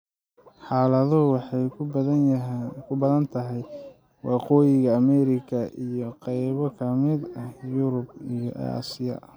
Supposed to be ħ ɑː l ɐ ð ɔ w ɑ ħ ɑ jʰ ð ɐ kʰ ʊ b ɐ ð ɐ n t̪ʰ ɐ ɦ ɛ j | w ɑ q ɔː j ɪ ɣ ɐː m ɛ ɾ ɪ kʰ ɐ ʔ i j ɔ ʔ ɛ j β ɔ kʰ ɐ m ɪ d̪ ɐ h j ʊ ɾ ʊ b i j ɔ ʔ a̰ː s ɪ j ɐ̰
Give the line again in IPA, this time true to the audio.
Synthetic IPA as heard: ħ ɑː l ɐ ð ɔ w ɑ ħ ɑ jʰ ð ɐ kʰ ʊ b ɐ ð ɐ n t̪ʰ ɐ ɦ ɛ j | w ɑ q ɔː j ɪ ɣ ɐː m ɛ ɾ ɪ kʰ ɐ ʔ i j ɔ q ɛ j β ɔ kʰ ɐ m ɪ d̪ ɐ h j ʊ ɾ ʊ b i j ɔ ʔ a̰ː s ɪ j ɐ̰